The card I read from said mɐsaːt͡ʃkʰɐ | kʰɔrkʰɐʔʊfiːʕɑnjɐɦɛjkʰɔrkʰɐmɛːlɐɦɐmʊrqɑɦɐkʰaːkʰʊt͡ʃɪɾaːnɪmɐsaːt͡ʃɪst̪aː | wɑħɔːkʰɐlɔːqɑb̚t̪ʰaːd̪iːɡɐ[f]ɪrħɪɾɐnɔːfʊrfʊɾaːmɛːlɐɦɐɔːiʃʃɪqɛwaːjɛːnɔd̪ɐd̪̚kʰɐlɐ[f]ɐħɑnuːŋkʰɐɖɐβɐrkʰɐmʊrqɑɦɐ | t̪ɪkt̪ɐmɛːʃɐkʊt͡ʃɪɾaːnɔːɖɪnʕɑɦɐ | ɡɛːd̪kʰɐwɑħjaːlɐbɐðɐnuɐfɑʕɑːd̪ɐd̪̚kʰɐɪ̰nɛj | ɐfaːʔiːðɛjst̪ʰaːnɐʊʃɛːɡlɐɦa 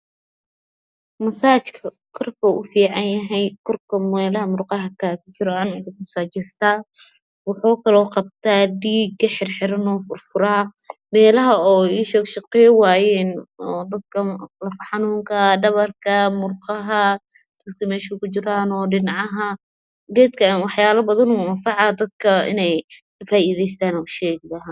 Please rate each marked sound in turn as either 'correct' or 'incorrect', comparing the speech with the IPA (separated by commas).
incorrect, correct